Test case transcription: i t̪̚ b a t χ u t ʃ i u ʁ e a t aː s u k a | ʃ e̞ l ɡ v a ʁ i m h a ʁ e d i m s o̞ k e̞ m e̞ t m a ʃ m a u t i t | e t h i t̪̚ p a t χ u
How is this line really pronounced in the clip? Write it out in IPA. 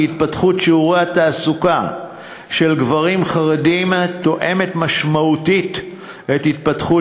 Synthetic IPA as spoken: i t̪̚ p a t χ u t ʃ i u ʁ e a t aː s u k a | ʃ e̞ l ɡ v a ʁ i m χ a ʁ e d i m t o̞ ʔ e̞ m e̞ t m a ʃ m a u t i t | e t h i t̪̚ p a t χ u

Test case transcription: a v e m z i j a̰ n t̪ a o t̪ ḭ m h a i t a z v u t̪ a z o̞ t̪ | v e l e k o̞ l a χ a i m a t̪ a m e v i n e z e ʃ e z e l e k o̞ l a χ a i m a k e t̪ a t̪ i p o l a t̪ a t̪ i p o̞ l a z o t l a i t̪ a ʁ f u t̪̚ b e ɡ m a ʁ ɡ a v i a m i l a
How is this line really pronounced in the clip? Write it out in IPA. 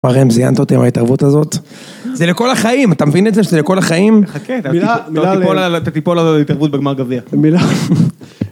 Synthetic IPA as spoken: a ʁ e m z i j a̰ n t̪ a o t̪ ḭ m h a i t a ʁ v u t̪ a z o̞ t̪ | z e l e k o̞ l a χ a i m a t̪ a m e v i n e z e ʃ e z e l e k o̞ l a χ a i m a k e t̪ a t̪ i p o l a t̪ a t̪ i p o̞ l a z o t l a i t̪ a ʁ v u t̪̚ b e ɡ m a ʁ ɡ a v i a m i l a

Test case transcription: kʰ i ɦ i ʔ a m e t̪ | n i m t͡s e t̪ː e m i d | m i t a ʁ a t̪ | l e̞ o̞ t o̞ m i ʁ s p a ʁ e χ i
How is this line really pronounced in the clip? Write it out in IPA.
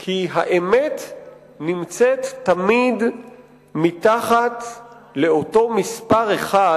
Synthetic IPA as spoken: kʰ i ɦ a ʔ e m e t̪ | n i m t͡s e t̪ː a m i d | m i t a χ a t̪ | l e̞ o̞ t o̞ m i s p a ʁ e χ a

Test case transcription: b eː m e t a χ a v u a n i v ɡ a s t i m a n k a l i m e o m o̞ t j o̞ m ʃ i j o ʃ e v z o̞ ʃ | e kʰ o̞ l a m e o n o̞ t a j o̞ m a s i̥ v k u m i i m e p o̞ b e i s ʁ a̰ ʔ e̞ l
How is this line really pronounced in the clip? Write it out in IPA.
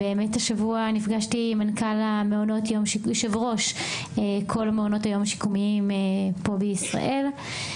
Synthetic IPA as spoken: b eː m e t a ʃ a v u a n i f ɡ a ʃ t i m a n k a l a m e o n o̞ t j o̞ m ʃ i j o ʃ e v ʁ o̞ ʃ | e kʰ o̞ l a m e o n o̞ t a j o̞ m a ʃ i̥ k u m i i m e p o̞ b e i s ʁ a̰ ʔ e̞ l

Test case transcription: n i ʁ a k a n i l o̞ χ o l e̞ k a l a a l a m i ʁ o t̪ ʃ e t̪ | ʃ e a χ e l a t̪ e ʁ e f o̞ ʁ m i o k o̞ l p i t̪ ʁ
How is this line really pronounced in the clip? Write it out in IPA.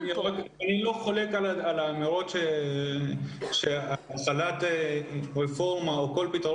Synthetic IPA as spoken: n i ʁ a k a n i l o̞ χ o l e̞ k a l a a l a m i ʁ o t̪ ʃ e | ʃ e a χ a l a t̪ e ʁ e f o̞ ʁ m a o k o̞ l p i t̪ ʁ

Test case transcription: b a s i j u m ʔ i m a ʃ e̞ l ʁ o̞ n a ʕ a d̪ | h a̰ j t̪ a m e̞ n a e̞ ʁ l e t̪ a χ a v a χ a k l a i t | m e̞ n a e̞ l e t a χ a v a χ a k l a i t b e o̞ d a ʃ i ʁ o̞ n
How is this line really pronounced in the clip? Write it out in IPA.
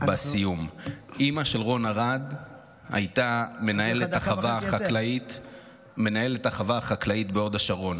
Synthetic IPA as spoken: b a s i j u m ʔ i m a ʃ e̞ l ʁ o̞ n a ʁ a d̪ | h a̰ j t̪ a m e̞ n a e̞ l e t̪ a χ a v a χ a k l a i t | m e̞ n a e̞ l e t a χ a v a χ a k l a i t b e o̞ d a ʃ a ʁ o̞ n

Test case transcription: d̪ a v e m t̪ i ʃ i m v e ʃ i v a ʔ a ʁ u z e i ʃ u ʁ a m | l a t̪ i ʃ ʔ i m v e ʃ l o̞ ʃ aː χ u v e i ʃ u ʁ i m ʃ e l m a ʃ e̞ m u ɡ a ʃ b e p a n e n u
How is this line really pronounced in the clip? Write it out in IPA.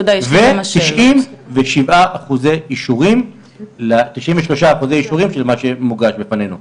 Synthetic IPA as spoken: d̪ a v e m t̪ i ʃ i m v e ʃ i v a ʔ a χ u z e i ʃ u ʁ i m | l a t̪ i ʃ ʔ i m v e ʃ l o̞ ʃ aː χ u z e i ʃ u ʁ i m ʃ e l m a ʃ e̞ m u ɡ a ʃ b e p a n e n u

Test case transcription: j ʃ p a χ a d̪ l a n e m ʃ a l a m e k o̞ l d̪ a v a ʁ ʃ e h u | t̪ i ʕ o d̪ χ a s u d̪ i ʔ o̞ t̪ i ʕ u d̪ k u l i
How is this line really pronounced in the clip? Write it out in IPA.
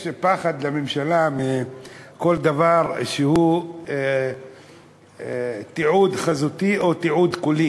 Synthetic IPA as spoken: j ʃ p a χ a d̪ l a m e m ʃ a l a m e k o̞ l d̪ a v a ʁ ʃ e h u | t̪ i ʕ u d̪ χ a z u t̪ i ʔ o̞ t̪ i ʕ u d̪ k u l i

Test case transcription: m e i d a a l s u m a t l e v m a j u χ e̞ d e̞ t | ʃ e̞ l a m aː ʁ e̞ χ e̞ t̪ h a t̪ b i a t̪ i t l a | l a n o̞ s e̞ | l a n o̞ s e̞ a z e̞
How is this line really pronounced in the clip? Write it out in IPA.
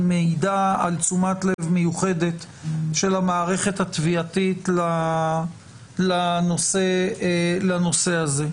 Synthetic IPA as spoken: m e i d a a l t͡s u m a t l e v m e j u χ e̞ d e̞ t | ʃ e̞ l a m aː ʁ e̞ χ e̞ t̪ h a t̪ v i a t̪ i t l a | l a n o̞ s e̞ | l a n o̞ s e̞ a z e̞

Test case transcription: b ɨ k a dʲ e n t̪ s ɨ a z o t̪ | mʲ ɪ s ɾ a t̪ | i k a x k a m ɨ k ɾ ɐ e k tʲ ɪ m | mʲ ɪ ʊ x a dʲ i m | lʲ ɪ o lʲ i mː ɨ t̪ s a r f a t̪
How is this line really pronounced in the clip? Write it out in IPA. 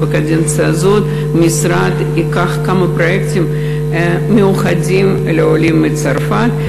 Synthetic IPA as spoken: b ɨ k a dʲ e n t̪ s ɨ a z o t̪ | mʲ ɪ s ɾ a t̪ | i k a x k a m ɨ p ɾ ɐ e k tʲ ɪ m | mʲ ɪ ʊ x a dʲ i m | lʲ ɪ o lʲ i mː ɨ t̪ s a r f a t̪

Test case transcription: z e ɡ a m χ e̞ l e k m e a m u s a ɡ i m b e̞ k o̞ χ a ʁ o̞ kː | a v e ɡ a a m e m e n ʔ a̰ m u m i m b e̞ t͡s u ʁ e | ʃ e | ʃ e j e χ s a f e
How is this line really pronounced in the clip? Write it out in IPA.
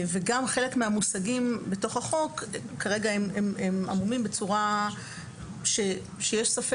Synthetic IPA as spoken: v e ɡ a m χ e̞ l e k m e a m u s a ɡ i m b e̞ t o̞ χ a χ o̞ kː | a ʁ e ɡ a e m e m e m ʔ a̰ m u m i m b e̞ t͡s u ʁ a | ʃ e | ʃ e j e ʃ s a f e

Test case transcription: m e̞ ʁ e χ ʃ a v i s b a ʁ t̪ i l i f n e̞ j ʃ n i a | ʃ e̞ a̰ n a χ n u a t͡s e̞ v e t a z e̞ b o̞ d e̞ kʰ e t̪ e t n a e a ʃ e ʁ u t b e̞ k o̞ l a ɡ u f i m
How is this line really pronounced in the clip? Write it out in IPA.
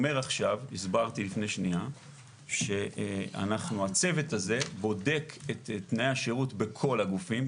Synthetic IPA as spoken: m e̞ ʁ a χ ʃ a v i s b a ʁ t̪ i l i f n e̞ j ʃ n i a | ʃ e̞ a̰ n a χ n u a t͡s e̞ v e t a z e̞ b o̞ d e̞ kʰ e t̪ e t n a e a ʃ e ʁ u t b e̞ kʰ o̞ l a ɡ u f i m

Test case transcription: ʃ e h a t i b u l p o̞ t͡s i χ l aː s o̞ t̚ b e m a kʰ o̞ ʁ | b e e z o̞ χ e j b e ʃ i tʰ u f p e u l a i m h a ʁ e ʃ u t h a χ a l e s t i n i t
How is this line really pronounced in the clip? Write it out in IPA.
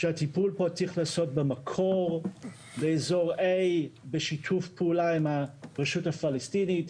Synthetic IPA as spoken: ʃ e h a t i p u l p o̞ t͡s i χ l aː s o̞ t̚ b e m a kʰ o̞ ʁ | b e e z o̞ ʁ e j b e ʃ i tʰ u f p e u l a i m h a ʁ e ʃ u t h a f a l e s t i n i t

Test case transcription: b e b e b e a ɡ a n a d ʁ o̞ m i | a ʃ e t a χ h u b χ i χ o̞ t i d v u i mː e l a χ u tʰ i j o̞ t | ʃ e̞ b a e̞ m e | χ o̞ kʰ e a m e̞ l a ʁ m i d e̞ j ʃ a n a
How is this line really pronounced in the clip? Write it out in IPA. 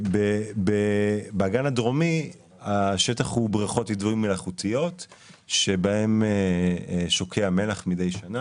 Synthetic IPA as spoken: b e b e b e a ɡ a n a d ʁ o̞ m i | a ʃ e t a χ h u b ʁ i χ o̞ t i d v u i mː e l a χ u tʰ i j o̞ t | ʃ e̞ b a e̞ m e | ʃ o̞ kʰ e a m e̞ l a χ m i d e̞ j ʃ a n a

